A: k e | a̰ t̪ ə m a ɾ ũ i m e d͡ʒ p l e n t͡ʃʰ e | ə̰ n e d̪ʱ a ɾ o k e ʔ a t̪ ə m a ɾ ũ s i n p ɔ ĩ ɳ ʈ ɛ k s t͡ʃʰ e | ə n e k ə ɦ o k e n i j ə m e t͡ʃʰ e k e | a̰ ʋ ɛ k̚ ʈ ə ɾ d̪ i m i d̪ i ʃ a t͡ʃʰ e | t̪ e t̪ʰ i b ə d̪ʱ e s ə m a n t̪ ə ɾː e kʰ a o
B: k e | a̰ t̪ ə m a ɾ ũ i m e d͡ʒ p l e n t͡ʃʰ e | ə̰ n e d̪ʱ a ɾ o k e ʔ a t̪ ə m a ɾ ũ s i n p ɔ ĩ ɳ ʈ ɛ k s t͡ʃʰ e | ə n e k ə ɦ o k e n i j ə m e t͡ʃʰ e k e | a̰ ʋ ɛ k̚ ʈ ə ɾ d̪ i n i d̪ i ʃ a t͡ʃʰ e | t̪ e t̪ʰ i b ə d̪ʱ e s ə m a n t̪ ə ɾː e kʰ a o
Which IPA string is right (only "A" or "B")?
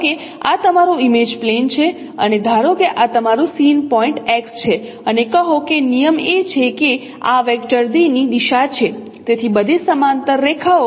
B